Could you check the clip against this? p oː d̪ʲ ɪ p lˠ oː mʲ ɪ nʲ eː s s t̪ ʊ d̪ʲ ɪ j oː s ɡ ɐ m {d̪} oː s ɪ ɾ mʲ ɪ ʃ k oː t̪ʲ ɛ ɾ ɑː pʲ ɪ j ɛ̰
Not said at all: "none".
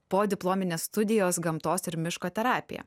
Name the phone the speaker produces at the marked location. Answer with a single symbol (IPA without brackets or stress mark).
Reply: t̪